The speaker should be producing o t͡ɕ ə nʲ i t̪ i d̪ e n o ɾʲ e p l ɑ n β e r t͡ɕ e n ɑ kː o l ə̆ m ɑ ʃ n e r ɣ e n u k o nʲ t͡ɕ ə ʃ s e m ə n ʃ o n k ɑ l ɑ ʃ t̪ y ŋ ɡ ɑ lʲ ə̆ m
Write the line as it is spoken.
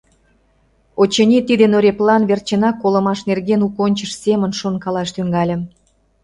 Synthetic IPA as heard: o t͡ɕ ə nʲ i t̪ i d̪ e n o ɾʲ e p l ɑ n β e r t͡ɕ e n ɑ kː o l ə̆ m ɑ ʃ n e r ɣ e n u k o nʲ t͡ɕ ə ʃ s e m ə n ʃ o n k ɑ l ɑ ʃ t̪ y ŋ ɡ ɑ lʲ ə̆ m